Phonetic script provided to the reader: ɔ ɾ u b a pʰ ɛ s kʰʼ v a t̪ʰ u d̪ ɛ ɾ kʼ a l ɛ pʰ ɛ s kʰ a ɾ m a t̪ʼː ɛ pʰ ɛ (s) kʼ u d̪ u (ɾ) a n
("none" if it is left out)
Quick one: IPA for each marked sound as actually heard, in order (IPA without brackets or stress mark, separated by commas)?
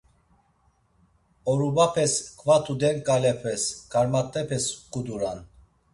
s, ɾ